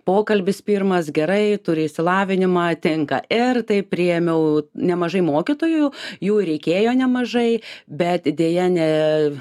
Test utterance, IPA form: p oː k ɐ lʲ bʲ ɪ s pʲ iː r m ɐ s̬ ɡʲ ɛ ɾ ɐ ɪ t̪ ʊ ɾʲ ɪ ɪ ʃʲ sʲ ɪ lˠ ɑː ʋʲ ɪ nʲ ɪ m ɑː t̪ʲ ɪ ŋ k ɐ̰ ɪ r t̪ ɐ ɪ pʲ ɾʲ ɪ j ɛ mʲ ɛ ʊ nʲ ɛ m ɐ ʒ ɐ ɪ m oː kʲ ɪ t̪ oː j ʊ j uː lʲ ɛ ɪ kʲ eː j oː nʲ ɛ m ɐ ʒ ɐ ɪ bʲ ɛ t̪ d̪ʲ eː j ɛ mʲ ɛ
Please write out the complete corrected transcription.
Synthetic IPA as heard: p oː k ɐ lʲ bʲ ɪ s pʲ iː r m ɐ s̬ ɡʲ ɛ ɾ ɐ ɪ t̪ ʊ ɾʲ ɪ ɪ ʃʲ sʲ ɪ lˠ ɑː ʋʲ ɪ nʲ ɪ m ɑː t̪ʲ ɪ ŋ k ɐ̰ ɪ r t̪ ɐ ɪ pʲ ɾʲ ɪ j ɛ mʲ ɛ ʊ nʲ ɛ m ɐ ʒ ɐ ɪ m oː kʲ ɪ t̪ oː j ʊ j uː ɾʲ ɛ ɪ kʲ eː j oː nʲ ɛ m ɐ ʒ ɐ ɪ bʲ ɛ t̪ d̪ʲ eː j ɛ nʲ ɛ